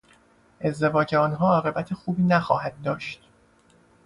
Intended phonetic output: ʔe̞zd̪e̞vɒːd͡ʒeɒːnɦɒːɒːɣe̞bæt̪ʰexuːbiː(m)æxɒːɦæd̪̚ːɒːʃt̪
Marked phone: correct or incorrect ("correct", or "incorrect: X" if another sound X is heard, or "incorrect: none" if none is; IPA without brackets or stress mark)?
incorrect: n